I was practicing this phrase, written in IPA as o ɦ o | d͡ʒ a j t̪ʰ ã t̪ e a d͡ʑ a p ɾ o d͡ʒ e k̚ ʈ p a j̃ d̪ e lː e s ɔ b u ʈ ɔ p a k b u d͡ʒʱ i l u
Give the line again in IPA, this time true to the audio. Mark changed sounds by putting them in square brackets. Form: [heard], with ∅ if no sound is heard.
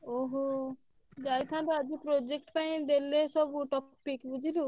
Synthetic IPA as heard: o ɦ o | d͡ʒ a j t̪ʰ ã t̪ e a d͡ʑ [i] p ɾ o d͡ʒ e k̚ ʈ p a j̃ d̪ e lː e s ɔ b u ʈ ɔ p [i] k b u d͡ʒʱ i l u